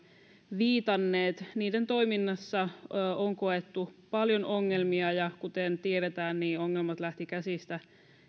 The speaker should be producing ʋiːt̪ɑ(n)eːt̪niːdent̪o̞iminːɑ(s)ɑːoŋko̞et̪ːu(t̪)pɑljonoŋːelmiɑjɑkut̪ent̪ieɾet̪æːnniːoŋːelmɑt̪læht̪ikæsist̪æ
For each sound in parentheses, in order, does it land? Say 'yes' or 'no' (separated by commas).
no, no, no